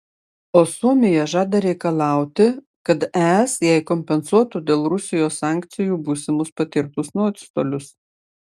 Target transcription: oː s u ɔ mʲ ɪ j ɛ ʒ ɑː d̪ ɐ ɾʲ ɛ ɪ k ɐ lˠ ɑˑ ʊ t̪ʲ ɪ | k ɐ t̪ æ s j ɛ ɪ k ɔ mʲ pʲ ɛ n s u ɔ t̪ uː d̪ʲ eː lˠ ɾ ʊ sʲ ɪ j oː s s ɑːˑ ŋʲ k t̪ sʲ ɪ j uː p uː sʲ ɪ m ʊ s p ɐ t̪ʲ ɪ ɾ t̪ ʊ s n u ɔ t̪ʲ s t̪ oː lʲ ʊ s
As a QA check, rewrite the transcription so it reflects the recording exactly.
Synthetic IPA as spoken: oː s u ɔ mʲ ɪ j ɛ ʒ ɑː d̪ ɐ ɾʲ ɛ ɪ k ɐ lˠ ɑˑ ʊ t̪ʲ ɪ | k ɐ t̪ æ s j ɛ ɪ k ɔ mʲ pʲ ɛ n s u ɔ t̪ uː d̪ʲ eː lˠ ɾ ʊ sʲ ɪ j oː s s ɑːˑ ŋʲ k t̪ sʲ ɪ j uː b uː sʲ ɪ m ʊ s p ɐ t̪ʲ ɪ ɾ t̪ ʊ s n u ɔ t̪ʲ s t̪ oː lʲ ʊ s